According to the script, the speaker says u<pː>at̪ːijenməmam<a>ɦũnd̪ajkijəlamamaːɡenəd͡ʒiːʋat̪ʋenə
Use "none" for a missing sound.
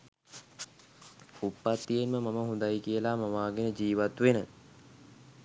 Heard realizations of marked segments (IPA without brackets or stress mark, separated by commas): pː, ə